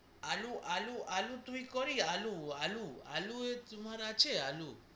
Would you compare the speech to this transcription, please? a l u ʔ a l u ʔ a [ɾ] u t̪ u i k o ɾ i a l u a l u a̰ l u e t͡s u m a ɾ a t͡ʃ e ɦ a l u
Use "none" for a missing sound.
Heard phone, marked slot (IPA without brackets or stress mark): l